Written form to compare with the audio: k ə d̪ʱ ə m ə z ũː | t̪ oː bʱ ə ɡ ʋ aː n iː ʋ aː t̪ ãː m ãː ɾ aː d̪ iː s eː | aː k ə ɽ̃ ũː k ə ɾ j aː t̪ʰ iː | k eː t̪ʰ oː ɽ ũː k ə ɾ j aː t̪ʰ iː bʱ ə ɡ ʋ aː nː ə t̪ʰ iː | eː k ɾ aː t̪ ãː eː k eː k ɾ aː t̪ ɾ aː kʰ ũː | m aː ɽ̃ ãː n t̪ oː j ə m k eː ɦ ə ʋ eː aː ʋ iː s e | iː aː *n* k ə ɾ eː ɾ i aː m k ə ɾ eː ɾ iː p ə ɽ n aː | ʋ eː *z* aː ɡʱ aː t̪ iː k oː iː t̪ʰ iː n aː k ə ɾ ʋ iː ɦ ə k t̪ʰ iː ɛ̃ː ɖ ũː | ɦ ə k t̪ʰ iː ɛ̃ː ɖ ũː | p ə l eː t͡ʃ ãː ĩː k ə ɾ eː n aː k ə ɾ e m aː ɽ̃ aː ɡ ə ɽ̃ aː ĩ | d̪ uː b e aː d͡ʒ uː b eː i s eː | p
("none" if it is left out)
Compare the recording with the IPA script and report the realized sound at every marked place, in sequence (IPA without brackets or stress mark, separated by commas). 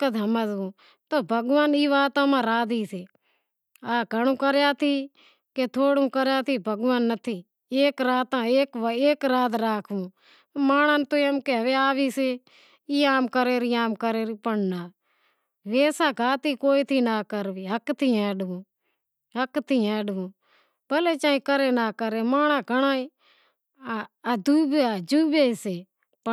m, s